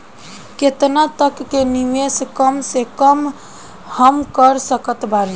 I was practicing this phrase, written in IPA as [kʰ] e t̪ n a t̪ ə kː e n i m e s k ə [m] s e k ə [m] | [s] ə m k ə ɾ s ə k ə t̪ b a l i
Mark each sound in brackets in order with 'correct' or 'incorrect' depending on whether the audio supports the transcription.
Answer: incorrect, correct, correct, incorrect

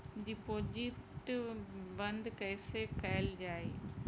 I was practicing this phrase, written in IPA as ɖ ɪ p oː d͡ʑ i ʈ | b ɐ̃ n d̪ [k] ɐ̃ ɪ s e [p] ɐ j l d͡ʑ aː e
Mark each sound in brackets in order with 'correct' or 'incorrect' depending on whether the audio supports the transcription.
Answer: correct, incorrect

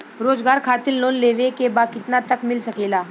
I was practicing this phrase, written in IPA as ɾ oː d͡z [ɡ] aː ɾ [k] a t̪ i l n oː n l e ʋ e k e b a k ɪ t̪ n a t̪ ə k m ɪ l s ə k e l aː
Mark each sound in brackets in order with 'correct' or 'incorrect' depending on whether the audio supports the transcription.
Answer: correct, incorrect

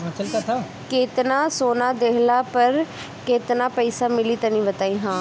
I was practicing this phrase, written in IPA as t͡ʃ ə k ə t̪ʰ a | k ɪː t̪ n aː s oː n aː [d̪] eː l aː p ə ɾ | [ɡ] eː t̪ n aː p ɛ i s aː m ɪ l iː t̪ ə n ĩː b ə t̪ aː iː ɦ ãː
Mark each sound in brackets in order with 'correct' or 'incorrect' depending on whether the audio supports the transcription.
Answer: correct, incorrect

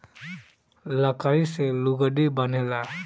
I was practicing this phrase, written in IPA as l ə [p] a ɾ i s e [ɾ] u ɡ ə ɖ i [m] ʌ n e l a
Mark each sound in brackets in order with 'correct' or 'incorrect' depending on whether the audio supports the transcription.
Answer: incorrect, incorrect, incorrect

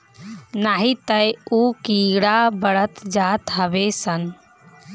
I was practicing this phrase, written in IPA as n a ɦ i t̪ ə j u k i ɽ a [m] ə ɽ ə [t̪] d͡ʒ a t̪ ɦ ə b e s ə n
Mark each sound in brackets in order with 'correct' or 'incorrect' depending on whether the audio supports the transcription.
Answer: incorrect, correct

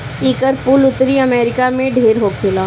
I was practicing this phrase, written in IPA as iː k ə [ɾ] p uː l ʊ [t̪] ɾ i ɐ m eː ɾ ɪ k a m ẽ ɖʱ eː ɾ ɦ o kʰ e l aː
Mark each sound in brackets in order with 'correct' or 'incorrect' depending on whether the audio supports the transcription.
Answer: correct, correct

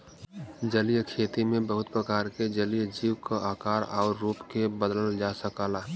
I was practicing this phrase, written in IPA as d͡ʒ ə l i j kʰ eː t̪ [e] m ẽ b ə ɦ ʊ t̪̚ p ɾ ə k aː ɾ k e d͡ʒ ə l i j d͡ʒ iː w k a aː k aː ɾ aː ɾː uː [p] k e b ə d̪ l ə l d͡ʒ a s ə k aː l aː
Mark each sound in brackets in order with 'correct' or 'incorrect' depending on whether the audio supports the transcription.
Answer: incorrect, correct

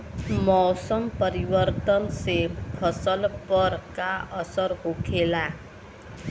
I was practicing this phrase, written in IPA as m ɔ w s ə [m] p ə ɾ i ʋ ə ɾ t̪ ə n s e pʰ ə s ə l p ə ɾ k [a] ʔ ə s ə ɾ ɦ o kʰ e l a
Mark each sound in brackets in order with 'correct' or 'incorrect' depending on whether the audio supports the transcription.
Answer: correct, correct

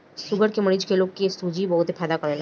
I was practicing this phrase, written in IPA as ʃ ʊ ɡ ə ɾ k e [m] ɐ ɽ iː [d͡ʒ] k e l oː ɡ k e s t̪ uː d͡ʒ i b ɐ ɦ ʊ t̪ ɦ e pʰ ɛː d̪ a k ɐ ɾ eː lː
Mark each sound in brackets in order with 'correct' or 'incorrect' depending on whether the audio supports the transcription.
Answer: correct, correct

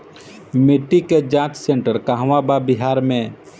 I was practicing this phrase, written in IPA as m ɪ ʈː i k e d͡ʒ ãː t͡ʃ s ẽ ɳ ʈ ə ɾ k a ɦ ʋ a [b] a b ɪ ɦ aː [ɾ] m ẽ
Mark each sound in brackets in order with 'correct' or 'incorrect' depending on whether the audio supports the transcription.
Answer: correct, correct

